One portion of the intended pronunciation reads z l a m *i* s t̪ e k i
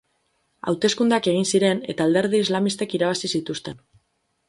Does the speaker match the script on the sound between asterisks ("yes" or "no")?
yes